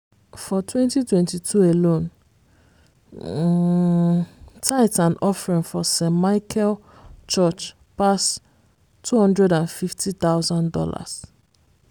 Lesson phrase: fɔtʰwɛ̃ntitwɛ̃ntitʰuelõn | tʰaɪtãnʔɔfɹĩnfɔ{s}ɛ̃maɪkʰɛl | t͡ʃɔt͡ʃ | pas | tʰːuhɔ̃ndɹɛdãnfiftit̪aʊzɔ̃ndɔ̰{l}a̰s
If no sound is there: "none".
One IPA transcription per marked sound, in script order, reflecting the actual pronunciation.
s, l

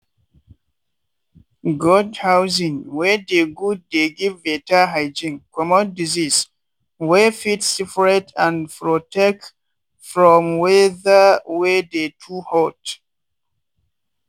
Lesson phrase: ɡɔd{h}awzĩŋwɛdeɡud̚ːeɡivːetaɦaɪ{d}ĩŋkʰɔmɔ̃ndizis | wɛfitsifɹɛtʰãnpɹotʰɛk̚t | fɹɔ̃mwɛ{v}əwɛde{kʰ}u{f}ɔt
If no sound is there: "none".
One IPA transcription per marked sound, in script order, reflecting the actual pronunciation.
h, d͡ʒ, ð, tʰ, h

